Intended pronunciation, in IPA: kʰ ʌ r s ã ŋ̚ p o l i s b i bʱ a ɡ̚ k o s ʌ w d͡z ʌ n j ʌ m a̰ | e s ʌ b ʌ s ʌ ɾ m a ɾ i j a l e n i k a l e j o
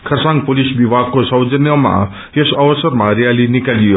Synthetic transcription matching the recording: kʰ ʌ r s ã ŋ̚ p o l i s b i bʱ a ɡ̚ k o s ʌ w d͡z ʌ n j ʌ m a̰ | e s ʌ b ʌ s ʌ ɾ m a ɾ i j a l i n i k a l i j o